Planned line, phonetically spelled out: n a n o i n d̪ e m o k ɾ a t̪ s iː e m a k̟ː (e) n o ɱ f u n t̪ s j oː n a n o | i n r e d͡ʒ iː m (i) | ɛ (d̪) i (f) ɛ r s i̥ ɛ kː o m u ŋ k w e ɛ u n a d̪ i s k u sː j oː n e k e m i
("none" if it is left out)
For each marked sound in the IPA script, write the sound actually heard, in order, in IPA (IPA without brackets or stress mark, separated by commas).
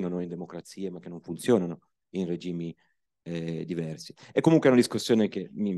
e, i, d̪, v